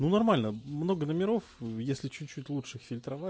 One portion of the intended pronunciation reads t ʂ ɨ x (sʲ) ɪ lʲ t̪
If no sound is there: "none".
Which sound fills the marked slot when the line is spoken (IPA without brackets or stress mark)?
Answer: fʲ